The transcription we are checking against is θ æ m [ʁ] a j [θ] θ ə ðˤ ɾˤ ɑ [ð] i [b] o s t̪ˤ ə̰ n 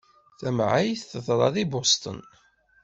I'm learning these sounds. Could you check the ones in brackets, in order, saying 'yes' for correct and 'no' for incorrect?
no, yes, yes, yes

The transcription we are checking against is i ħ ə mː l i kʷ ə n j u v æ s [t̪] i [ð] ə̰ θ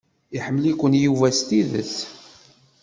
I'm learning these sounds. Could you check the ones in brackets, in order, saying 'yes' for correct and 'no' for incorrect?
yes, yes

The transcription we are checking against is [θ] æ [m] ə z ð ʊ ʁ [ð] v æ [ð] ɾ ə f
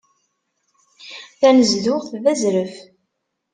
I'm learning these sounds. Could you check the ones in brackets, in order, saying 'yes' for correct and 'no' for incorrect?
yes, no, no, no

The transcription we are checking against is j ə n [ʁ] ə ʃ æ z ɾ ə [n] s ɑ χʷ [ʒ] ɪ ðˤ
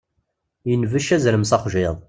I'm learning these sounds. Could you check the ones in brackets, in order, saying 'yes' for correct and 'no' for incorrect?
no, no, yes

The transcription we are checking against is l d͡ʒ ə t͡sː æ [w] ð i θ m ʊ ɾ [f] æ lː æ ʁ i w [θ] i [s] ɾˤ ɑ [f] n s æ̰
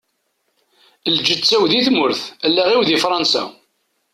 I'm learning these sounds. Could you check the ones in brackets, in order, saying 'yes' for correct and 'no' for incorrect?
yes, no, no, no, no

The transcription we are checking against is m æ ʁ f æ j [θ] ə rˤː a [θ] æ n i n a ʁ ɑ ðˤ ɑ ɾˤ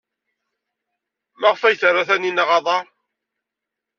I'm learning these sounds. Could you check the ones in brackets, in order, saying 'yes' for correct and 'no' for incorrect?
yes, yes

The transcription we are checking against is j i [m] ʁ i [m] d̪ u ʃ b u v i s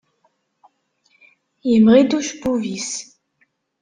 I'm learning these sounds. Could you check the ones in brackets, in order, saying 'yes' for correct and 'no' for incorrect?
yes, no

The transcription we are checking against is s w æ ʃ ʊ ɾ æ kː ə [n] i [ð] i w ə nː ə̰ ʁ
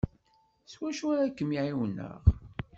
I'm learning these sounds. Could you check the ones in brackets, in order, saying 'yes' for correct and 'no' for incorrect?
no, no

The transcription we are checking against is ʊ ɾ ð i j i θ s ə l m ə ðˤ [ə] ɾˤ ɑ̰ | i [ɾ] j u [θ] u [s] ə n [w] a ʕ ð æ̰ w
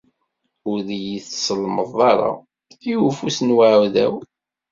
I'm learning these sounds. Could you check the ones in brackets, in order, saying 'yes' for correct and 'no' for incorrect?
no, no, no, yes, yes

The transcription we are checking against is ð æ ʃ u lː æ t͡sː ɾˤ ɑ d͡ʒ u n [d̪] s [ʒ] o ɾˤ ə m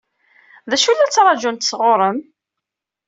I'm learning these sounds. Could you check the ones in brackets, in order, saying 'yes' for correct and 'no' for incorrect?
no, no

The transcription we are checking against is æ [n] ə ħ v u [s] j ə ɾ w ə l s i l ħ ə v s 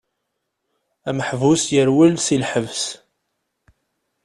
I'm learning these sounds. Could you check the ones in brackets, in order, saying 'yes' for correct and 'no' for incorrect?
no, yes

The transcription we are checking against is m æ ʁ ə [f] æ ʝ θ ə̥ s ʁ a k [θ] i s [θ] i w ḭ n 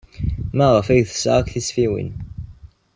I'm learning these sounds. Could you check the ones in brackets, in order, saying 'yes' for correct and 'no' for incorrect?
yes, yes, no

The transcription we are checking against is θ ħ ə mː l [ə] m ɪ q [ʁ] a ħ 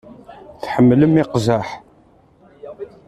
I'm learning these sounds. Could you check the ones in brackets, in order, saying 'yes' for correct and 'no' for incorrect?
yes, no

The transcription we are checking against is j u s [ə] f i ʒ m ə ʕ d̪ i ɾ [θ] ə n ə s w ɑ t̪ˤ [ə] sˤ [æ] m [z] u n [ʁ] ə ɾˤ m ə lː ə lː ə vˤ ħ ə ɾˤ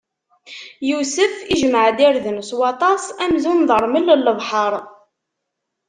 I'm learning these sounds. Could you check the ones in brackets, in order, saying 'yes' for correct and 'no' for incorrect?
yes, no, no, yes, yes, no

